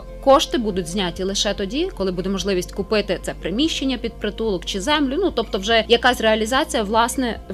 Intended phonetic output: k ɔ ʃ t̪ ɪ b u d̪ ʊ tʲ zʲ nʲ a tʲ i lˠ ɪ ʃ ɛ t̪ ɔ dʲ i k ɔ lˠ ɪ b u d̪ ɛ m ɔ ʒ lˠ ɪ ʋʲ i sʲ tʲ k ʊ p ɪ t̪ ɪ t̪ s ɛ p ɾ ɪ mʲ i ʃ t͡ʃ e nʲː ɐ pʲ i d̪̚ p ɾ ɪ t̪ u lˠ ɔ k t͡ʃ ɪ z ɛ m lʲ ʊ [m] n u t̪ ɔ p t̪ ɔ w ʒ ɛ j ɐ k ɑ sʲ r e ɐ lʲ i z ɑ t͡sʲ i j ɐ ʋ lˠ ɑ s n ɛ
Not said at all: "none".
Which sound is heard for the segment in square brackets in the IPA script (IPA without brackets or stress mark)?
none